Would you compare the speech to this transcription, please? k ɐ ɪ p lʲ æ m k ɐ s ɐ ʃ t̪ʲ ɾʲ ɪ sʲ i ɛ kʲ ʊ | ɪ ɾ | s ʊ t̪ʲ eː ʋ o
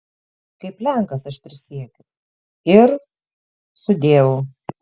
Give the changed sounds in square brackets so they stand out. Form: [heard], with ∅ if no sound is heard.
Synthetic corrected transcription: k ɐ ɪ p lʲ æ [ŋ] k ɐ s ɐ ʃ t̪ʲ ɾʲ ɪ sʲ i ɛ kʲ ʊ | ɪ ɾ | s ʊ [d̪ʲ] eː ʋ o